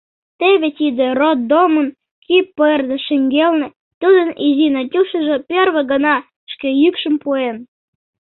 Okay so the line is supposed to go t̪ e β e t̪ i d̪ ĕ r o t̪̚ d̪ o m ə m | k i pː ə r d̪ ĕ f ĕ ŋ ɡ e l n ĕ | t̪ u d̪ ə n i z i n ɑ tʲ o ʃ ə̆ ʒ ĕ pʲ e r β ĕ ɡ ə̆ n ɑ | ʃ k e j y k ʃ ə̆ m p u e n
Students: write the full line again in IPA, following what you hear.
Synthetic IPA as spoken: t̪ e β e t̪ i d̪ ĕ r o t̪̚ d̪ o m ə n | k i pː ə r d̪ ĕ ʃ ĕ ŋ ɡ e l n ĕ | t̪ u d̪ ə n i z i n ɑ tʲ u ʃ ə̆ ʒ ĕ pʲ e r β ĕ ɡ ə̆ n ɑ | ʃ k e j y k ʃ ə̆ m p u e n